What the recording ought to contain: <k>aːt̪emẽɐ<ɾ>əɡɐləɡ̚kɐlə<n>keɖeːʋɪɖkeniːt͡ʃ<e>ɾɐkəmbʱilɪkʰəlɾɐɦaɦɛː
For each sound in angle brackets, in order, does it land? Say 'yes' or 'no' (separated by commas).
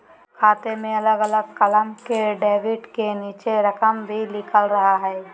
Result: no, no, no, yes